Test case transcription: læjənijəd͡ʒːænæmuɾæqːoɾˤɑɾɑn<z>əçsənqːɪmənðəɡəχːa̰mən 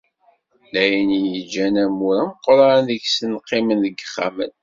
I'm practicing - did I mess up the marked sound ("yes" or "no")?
yes